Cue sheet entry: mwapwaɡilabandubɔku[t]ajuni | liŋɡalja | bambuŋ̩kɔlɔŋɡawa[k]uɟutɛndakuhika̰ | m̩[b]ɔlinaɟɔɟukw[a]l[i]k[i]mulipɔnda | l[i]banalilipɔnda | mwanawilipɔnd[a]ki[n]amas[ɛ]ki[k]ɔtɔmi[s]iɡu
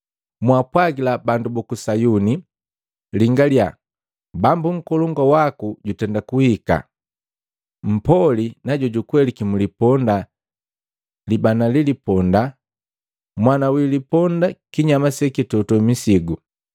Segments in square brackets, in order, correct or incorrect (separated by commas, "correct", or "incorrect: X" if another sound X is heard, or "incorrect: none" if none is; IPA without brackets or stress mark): incorrect: s, correct, incorrect: p, incorrect: ɛ, correct, correct, correct, correct, incorrect: ɲ, correct, incorrect: t, correct